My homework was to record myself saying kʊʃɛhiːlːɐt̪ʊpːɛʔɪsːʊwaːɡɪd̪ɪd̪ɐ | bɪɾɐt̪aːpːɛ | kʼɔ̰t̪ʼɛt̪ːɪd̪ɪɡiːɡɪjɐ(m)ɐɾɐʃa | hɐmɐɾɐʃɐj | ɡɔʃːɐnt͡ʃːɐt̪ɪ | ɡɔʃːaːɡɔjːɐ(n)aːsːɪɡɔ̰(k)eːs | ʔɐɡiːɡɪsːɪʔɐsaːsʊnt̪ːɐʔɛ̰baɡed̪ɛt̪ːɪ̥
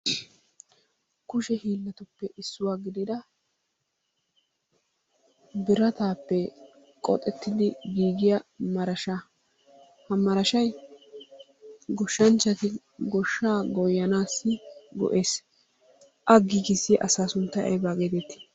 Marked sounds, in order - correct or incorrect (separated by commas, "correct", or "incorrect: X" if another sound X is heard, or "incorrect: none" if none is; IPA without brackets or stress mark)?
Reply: correct, correct, incorrect: ʔ